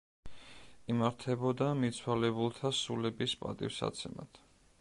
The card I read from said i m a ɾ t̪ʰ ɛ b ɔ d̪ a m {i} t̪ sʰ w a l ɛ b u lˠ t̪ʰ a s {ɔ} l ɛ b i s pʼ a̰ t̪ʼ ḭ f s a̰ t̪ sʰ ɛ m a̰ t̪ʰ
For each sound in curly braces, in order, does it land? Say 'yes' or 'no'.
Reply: yes, no

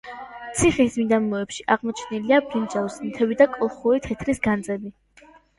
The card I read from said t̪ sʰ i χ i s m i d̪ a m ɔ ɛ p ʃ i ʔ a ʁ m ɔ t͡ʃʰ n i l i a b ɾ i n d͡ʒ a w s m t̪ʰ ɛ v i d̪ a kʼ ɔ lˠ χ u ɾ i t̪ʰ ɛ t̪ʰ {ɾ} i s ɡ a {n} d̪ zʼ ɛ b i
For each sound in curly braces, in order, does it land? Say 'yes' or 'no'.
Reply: yes, yes

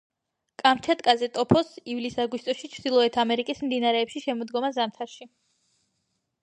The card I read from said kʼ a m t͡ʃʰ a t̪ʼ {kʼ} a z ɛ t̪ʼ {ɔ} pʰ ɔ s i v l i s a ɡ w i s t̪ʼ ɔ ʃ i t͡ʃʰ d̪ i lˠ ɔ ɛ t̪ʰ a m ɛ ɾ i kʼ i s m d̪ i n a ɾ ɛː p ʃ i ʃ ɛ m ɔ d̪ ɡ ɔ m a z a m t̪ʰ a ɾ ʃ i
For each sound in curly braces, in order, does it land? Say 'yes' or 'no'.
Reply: yes, yes

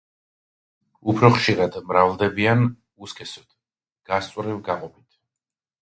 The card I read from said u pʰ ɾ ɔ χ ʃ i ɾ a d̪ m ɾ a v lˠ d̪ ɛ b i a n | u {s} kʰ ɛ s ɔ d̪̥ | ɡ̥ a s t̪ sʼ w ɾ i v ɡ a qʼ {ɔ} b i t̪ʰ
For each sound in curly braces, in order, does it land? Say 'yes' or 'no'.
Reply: yes, yes

